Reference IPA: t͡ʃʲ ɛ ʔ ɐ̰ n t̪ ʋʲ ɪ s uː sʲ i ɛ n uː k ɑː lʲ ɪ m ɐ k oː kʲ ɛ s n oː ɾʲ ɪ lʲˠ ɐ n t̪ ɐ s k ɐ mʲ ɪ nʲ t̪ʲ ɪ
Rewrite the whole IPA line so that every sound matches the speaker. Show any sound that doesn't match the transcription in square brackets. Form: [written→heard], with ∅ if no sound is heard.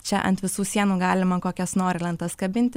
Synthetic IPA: t͡ʃʲ ɛ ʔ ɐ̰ n t̪ ʋʲ ɪ s uː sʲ i ɛ n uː [k→ɡ] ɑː lʲ ɪ m ɐ k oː kʲ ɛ s n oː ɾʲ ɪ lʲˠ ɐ n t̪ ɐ s k ɐ [mʲ→bʲ] ɪ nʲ t̪ʲ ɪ